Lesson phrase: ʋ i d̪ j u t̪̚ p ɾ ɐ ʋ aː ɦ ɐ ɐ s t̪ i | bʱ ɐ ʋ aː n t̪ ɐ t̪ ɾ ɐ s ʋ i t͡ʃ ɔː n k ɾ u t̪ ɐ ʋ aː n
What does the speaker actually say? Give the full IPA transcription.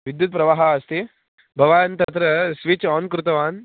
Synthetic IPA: ʋ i d̪ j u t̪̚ p ɾ ɐ ʋ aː ɦ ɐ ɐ s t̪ i | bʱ ɐ ʋ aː n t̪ ɐ t̪ ɾ ɐ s ʋ i t͡ʃ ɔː n k ɾ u t̪ ɐ ʋ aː n